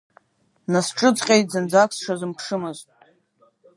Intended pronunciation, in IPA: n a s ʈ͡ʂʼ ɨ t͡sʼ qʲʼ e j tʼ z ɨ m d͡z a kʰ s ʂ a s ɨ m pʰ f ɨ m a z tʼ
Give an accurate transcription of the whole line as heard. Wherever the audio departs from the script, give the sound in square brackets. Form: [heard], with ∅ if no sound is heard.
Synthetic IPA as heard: n a s ʈ͡ʂʼ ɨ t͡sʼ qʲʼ e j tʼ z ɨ [n] d͡z a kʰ s ʂ a [z] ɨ m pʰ [ʂ] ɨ m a z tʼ